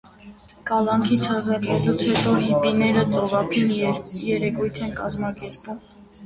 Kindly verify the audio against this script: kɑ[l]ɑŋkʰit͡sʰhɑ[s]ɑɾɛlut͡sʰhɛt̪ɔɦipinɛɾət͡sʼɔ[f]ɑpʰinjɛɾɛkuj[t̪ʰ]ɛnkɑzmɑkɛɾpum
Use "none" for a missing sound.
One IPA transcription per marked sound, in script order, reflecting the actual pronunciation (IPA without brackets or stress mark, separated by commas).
l, z, v, t̪ʰ